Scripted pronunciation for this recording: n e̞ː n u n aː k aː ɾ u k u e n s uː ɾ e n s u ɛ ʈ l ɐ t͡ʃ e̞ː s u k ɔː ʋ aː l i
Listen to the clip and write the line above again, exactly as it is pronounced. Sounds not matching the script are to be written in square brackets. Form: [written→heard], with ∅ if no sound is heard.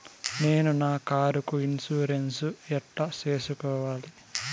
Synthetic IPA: n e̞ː n u n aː k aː ɾ u k u [e→i] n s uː ɾ e n s u ɛ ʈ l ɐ t͡ʃ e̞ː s u k ɔː ʋ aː l i